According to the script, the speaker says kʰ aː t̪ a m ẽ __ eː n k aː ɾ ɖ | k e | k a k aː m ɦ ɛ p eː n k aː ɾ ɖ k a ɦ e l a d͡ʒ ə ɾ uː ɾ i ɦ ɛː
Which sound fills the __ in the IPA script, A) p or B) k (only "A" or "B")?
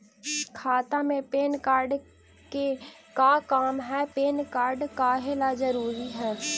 A